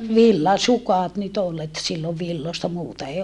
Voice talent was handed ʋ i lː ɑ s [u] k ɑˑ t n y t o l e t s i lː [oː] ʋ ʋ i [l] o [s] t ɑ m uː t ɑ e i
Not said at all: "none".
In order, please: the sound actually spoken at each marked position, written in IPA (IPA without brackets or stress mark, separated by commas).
u, o, lː, s